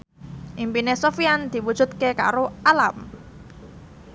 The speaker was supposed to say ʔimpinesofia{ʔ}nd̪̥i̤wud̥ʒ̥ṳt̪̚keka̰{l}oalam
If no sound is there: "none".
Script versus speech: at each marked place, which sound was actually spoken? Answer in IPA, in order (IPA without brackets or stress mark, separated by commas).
none, ɾ